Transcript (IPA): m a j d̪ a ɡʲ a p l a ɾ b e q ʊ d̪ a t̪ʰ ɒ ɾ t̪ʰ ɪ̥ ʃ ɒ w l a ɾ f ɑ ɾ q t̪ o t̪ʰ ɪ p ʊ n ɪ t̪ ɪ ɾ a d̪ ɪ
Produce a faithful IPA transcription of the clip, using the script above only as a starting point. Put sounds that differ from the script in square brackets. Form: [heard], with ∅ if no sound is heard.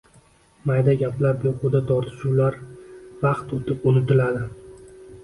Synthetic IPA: m a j d̪ a ɡʲ a p l a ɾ b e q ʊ d̪ a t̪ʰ ɒ ɾ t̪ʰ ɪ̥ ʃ [u] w l a ɾ [v] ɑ [∅] q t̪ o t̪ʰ ɪ p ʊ n ɪ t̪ ɪ [l] a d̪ ɪ